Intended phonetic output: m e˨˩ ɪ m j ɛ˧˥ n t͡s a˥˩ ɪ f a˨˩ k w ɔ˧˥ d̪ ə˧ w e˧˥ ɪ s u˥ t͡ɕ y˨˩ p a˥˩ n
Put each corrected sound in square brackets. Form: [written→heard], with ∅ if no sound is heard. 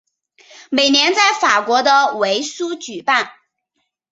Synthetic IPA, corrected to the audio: m e˨˩ ɪ [m→n] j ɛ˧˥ n t͡s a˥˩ ɪ f a˨˩ k w ɔ˧˥ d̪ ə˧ w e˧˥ ɪ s u˥ t͡ɕ y˨˩ p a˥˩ n